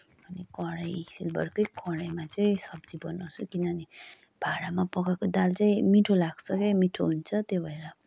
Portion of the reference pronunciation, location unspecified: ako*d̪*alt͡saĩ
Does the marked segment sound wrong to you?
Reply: no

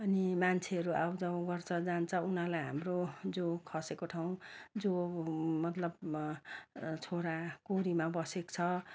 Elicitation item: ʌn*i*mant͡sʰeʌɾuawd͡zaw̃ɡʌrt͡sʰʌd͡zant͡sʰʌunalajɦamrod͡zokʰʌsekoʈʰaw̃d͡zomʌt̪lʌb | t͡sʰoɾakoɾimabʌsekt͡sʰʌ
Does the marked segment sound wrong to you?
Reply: no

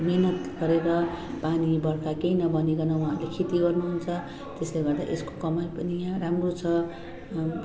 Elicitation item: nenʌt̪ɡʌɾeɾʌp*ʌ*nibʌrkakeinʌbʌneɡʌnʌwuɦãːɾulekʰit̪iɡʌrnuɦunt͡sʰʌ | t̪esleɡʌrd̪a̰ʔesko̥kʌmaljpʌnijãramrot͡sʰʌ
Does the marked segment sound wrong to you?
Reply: yes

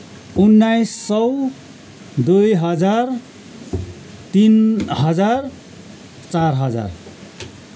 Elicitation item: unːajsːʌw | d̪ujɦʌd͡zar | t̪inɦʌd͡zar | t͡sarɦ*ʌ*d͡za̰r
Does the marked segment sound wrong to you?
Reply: no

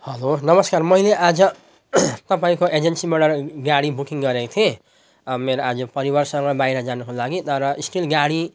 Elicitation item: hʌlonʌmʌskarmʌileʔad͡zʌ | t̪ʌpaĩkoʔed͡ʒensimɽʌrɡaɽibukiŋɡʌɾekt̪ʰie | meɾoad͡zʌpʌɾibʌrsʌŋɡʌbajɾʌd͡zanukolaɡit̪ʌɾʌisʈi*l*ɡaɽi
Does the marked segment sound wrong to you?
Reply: no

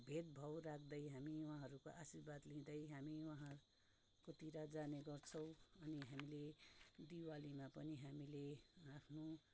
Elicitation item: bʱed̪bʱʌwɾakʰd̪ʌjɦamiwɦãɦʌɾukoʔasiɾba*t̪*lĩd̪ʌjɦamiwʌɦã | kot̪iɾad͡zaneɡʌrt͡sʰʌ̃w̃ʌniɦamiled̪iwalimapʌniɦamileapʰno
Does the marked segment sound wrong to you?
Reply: yes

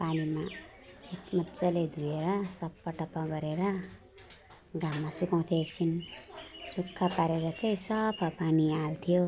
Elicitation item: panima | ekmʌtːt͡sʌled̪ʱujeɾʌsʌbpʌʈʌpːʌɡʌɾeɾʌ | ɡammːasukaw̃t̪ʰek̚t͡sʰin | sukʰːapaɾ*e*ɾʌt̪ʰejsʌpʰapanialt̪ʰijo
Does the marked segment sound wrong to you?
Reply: no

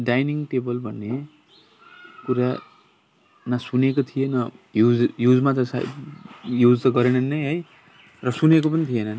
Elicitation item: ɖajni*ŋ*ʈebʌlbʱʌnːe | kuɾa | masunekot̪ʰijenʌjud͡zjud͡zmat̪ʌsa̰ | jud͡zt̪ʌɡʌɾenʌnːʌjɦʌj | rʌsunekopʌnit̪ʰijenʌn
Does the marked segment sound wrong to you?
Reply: no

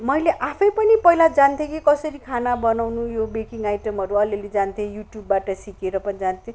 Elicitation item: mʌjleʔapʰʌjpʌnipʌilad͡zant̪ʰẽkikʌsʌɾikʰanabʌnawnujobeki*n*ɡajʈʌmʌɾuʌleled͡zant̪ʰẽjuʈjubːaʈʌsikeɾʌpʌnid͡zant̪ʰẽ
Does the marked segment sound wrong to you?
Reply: yes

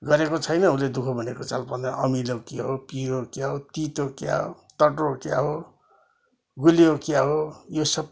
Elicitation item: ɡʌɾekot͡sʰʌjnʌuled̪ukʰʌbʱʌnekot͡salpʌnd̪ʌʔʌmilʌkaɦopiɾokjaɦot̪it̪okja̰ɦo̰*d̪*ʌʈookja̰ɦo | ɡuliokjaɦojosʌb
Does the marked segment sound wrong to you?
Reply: yes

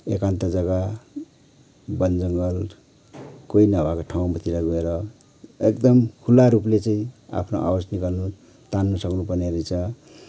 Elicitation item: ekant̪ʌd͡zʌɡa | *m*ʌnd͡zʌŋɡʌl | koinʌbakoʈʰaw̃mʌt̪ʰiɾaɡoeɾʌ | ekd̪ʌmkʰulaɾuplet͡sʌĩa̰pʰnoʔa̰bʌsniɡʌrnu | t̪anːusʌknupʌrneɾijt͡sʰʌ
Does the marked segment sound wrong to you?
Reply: yes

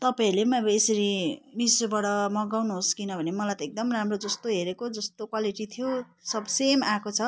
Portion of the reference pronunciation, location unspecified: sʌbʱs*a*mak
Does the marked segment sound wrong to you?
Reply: yes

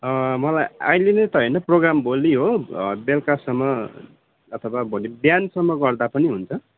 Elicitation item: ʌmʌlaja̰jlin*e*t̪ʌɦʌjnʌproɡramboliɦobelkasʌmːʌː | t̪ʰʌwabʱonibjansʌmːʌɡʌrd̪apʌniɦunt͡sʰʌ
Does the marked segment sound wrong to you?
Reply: no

